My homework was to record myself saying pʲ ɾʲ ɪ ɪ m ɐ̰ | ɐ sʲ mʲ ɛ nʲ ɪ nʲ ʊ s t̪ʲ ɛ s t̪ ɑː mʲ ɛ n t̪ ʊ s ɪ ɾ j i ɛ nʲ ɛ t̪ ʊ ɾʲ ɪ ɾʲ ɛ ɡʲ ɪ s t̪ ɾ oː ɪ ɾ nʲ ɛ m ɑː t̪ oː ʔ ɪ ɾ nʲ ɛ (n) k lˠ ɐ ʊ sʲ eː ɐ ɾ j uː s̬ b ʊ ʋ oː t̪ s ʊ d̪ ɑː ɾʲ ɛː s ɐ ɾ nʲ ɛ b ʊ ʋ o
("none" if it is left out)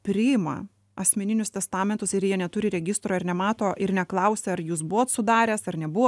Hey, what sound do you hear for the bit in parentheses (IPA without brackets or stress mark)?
none